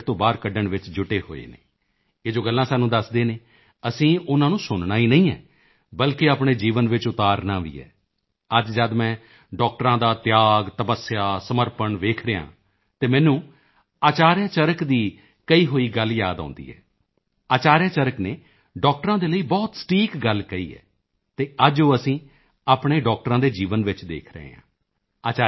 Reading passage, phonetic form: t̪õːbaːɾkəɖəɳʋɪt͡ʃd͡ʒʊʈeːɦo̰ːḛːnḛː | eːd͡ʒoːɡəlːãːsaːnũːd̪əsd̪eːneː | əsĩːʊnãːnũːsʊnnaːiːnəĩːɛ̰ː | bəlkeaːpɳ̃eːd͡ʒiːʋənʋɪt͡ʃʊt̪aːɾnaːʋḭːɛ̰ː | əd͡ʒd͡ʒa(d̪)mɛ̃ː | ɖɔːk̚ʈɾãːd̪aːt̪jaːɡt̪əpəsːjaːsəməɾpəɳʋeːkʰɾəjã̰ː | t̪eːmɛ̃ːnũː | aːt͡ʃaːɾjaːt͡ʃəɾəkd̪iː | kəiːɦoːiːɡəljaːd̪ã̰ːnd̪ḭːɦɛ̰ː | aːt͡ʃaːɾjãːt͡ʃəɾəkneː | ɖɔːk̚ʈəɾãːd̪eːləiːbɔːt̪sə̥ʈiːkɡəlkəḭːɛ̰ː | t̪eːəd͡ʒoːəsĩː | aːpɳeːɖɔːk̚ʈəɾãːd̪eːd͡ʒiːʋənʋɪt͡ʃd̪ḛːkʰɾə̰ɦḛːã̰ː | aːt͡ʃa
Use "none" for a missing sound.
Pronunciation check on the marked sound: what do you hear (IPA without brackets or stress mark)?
d̪